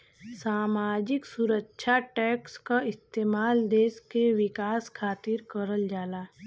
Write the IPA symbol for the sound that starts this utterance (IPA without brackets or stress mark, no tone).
s